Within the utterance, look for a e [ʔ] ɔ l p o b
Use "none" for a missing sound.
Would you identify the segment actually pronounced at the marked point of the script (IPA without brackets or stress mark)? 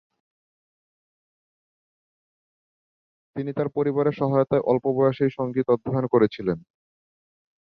ʔ